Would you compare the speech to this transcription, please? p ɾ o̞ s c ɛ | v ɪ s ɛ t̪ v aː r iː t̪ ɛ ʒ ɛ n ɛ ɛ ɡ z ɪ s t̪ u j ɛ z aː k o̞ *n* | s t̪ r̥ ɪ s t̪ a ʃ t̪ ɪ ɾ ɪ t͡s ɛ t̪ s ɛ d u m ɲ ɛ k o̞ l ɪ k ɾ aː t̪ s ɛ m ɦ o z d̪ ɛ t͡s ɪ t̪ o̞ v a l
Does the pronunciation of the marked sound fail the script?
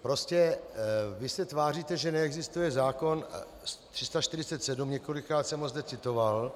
no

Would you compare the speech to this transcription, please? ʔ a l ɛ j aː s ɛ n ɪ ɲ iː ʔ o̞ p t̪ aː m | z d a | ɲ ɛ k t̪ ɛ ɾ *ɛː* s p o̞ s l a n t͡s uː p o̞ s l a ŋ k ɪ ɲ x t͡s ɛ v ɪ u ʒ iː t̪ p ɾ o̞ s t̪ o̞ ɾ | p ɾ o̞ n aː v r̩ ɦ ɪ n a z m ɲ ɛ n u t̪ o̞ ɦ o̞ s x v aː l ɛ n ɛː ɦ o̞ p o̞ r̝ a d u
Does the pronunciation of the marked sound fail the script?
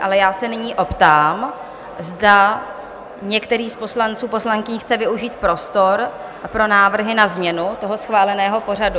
yes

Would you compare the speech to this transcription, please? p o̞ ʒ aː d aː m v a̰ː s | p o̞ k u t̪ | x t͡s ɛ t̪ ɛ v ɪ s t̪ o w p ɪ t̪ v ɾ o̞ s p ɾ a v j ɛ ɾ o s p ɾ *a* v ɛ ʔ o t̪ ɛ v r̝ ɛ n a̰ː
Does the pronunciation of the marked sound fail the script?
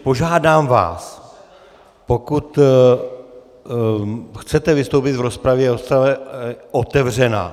no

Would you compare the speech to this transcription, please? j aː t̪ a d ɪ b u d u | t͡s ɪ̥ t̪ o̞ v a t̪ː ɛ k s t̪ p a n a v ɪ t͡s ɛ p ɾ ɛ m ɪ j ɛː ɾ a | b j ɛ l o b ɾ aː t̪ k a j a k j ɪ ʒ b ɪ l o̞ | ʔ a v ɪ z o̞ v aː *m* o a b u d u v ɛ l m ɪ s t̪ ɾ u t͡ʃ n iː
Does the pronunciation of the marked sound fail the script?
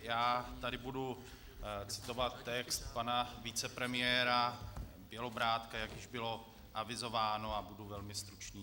yes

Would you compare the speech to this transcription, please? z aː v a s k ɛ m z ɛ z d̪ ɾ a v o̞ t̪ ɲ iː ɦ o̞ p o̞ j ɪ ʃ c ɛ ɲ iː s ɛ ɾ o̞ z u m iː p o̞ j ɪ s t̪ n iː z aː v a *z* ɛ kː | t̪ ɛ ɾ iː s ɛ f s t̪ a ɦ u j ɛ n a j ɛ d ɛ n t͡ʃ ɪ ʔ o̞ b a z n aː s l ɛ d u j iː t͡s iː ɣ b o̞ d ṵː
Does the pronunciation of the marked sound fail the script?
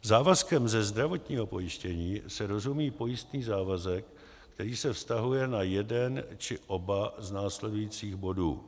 no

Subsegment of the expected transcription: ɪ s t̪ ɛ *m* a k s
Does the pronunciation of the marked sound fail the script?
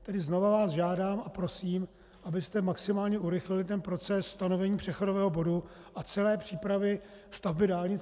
no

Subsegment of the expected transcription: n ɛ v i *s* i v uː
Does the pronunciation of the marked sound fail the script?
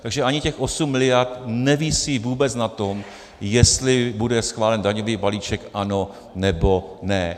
no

